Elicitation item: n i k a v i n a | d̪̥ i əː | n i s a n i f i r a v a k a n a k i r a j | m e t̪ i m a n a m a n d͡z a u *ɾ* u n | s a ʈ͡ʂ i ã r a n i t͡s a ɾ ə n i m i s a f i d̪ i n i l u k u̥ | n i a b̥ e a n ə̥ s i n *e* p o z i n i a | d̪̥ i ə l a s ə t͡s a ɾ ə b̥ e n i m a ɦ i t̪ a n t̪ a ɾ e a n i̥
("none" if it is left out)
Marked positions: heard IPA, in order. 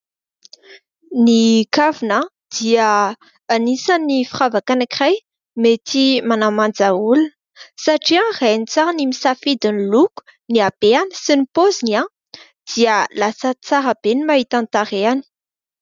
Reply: l, i

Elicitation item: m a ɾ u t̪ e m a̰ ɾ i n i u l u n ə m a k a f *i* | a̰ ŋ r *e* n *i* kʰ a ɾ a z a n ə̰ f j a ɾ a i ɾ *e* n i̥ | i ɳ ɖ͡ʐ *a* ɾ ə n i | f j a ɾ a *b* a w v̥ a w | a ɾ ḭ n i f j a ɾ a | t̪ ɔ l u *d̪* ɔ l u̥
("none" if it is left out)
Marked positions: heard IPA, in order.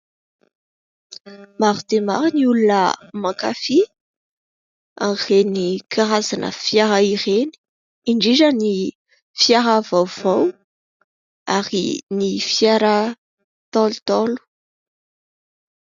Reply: i, e, i, e, i, v, t̪

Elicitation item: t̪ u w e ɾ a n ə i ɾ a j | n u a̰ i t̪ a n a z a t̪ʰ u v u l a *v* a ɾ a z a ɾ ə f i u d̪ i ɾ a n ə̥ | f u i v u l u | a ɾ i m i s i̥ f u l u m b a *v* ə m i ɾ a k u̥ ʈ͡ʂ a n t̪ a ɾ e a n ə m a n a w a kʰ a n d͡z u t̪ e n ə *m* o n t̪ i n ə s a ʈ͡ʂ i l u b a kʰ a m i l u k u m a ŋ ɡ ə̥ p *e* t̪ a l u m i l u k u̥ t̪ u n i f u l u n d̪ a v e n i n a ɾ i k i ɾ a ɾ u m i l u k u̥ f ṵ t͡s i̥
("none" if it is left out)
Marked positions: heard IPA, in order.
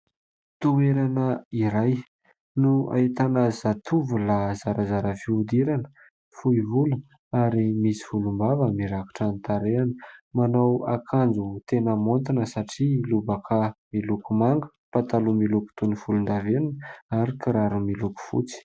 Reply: z, v, m, a

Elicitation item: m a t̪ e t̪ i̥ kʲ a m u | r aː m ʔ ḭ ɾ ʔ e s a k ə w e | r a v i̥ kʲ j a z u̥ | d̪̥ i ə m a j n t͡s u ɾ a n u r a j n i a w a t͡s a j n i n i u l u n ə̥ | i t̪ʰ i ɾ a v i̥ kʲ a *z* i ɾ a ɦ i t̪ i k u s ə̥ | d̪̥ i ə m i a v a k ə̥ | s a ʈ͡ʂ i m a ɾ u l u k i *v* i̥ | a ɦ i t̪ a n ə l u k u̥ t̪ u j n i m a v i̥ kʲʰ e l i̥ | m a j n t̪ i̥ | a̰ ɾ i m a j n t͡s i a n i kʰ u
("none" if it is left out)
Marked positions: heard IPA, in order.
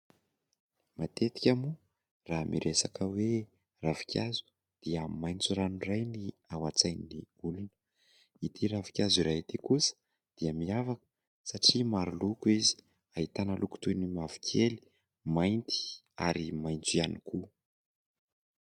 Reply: z, z

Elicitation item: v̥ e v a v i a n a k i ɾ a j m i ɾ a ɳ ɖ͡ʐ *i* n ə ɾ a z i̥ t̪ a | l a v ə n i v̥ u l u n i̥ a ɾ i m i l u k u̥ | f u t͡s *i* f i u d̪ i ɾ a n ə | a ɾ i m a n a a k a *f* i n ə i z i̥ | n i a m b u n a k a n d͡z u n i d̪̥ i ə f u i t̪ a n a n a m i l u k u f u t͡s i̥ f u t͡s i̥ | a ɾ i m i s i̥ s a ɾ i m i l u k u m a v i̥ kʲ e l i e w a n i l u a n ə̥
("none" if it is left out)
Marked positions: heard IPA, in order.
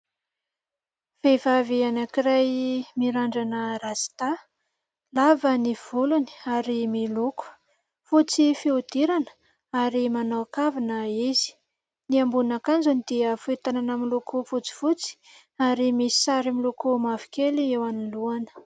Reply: a, i, v

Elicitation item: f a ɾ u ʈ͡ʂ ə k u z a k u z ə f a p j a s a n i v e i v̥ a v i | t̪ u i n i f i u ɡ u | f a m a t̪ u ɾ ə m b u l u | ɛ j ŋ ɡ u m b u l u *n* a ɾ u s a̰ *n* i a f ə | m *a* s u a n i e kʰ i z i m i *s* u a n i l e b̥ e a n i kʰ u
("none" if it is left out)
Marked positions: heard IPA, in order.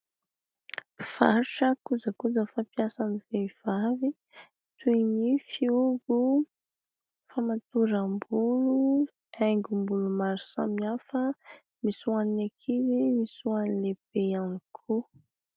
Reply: m, m, i, s

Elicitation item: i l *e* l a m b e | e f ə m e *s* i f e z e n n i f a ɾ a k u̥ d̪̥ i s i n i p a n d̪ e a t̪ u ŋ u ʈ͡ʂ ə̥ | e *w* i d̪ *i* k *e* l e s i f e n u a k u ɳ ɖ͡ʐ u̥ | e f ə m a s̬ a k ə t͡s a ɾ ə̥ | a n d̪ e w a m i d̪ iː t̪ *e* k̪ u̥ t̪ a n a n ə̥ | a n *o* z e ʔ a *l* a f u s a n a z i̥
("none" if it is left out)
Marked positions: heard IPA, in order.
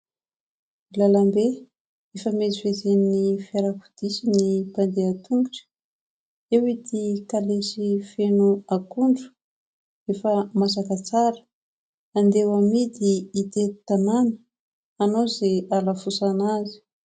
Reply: a, z, w, i, a, e, o, l

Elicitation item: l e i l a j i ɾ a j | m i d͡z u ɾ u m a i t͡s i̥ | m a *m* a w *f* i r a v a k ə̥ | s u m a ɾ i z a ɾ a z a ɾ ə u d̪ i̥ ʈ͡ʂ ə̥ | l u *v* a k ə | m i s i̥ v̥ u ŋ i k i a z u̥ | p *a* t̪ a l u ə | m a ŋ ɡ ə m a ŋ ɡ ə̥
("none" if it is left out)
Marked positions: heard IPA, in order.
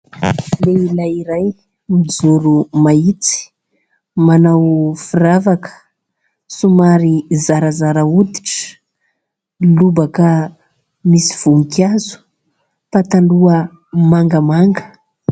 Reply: n, f, b, a

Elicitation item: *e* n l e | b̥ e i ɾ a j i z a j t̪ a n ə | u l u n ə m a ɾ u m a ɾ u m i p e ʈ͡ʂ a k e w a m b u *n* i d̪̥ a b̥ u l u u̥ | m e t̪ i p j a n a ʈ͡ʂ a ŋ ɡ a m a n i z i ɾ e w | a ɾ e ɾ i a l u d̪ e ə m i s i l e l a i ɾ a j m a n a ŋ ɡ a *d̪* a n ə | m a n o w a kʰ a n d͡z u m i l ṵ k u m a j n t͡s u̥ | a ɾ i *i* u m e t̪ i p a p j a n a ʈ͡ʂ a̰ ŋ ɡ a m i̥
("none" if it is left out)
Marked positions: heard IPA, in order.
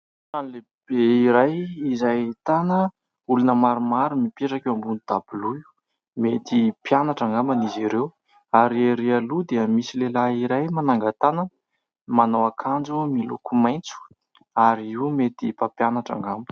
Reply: a, n, t̪, i

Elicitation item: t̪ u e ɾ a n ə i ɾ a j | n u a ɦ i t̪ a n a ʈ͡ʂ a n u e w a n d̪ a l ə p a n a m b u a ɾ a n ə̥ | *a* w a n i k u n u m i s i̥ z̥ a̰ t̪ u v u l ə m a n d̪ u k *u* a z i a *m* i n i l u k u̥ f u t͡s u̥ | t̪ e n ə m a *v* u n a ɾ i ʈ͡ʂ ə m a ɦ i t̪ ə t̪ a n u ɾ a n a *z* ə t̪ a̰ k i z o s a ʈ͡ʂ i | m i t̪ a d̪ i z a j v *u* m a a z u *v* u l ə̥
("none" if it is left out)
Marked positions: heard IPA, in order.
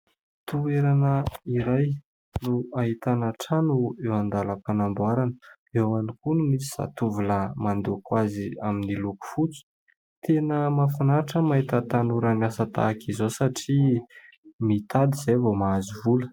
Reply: e, w, m, f, s, o, v

